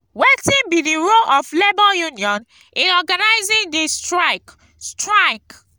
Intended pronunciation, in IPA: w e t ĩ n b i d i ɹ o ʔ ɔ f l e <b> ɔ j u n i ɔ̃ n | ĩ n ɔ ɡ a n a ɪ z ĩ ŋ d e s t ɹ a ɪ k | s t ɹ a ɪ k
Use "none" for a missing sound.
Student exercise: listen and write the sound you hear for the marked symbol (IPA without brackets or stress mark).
b